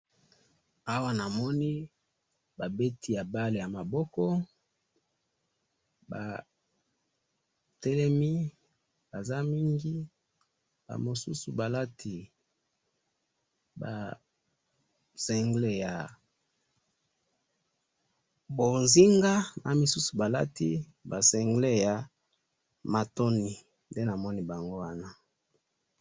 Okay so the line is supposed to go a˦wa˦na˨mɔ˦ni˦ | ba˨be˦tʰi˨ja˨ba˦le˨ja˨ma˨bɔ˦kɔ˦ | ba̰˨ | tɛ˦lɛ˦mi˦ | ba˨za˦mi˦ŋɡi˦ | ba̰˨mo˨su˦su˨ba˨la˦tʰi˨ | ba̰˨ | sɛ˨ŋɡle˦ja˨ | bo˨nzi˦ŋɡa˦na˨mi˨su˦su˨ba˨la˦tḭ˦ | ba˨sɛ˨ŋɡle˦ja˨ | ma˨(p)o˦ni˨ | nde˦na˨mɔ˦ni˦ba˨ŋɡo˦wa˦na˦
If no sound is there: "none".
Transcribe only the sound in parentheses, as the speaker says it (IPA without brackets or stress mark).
t